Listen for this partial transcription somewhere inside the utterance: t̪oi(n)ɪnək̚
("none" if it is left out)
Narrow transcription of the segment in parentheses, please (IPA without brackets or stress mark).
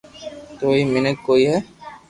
m